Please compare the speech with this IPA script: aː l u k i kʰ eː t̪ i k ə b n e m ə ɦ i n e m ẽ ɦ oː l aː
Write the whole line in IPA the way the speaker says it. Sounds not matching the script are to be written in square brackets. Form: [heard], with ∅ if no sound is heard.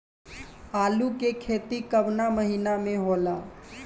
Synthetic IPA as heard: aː l u k [e] kʰ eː t̪ i k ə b n [a] m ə ɦ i n [a] m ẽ ɦ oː l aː